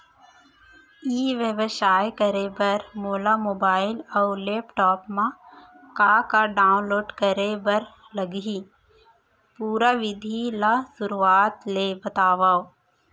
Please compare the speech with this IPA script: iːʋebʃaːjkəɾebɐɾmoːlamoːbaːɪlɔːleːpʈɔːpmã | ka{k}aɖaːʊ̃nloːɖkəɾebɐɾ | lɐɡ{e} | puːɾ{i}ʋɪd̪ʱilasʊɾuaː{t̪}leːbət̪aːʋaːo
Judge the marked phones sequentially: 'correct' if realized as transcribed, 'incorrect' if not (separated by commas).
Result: correct, incorrect, incorrect, correct